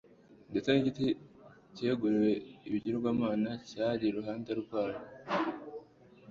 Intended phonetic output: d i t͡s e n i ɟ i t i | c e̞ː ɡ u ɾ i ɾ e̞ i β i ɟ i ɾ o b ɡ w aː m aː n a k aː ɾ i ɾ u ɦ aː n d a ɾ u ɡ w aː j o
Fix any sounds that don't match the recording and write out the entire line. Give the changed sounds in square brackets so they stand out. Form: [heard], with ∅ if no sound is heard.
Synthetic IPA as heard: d [e] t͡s e n i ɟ i t i | c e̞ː ɡ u ɾ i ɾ e̞ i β i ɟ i ɾ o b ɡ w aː m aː n a [c] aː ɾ i ɾ u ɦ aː n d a ɾ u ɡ w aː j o